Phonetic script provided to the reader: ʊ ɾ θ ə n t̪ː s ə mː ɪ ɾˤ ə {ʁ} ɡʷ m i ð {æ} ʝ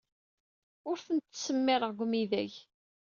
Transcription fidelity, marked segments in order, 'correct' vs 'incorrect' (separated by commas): correct, correct